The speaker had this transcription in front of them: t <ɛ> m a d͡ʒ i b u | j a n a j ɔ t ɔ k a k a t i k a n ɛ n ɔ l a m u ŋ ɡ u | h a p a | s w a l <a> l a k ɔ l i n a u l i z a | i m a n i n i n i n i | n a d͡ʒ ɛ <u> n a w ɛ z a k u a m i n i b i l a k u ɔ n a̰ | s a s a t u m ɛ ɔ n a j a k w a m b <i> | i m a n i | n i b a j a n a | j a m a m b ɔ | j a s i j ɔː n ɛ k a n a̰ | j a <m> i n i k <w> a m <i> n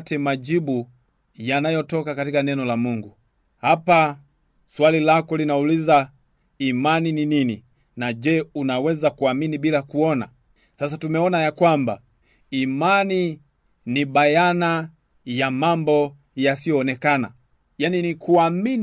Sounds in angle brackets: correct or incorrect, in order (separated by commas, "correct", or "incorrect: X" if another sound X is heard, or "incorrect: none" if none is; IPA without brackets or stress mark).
correct, incorrect: i, correct, incorrect: a, incorrect: n, incorrect: u, correct